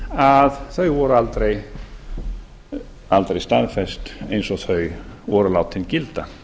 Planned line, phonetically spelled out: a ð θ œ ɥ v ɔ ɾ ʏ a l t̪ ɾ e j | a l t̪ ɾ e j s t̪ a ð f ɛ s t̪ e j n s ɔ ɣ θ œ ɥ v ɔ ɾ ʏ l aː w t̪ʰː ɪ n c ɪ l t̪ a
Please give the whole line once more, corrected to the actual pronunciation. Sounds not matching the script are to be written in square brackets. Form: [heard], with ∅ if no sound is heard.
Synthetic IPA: a ð θ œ ɥ v ɔ ɾ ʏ a l t̪ ɾ e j | a l t̪ ɾ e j s t̪ a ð f ɛ s t̪ e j n s ɔ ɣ θ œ ɥ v ɔ ɾ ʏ l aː w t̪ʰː ɪ n c ɪ l t̪ a